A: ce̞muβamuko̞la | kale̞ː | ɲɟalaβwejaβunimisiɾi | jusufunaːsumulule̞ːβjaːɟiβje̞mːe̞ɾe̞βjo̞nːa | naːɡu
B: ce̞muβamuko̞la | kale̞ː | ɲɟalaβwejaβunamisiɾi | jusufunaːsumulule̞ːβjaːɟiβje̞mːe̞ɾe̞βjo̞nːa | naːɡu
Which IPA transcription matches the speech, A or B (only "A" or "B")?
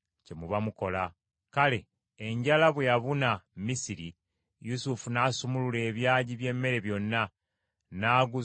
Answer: B